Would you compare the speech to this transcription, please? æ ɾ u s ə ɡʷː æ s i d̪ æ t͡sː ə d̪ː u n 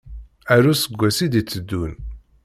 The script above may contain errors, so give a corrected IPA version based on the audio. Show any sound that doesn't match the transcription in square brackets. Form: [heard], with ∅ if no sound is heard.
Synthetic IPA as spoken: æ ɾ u s ə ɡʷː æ s i d̪ [i] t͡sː ə d̪ː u n